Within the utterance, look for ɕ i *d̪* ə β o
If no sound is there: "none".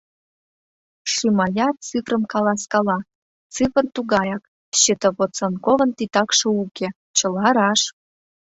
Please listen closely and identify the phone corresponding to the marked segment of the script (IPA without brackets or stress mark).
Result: t̪